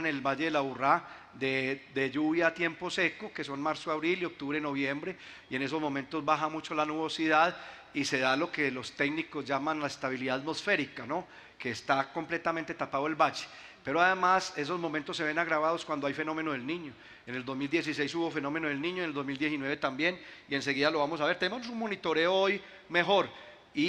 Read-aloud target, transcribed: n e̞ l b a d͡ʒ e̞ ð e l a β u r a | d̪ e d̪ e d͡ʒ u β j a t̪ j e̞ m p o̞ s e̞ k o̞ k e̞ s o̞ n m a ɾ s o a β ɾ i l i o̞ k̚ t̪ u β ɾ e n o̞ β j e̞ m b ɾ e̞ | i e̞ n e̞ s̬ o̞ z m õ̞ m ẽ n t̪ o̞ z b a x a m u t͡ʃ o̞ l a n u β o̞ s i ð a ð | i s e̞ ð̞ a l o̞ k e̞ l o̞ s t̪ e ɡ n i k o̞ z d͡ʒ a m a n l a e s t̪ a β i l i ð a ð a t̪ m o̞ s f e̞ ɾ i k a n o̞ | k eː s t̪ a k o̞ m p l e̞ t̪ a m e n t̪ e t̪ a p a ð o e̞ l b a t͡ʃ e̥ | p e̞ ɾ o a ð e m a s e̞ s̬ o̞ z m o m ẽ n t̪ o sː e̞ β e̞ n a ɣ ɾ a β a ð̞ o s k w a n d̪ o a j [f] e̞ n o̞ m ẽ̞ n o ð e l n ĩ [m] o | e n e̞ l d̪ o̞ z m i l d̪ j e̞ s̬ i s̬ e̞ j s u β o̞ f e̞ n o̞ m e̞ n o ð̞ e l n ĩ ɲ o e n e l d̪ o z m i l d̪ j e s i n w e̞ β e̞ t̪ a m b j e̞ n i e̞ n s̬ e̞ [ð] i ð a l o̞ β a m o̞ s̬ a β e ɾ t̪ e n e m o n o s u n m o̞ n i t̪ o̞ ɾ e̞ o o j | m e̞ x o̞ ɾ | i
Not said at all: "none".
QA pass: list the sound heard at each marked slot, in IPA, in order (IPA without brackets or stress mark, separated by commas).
f, ɲ, ɣ